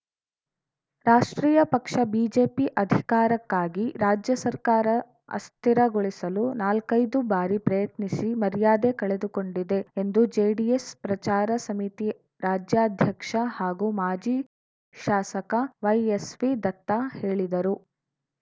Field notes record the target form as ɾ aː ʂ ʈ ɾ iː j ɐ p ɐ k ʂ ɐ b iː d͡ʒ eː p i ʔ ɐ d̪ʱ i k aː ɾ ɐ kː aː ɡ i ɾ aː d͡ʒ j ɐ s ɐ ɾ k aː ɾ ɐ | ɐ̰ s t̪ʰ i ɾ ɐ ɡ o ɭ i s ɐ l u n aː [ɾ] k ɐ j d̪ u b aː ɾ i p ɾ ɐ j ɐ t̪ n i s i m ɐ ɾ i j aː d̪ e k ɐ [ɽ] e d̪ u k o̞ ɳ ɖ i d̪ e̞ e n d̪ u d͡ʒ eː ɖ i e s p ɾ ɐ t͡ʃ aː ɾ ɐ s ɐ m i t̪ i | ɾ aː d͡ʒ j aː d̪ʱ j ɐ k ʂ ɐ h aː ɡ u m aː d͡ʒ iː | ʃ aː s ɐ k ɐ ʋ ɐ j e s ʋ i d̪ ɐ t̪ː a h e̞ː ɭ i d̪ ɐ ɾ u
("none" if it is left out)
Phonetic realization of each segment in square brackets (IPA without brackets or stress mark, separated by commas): l, ɭ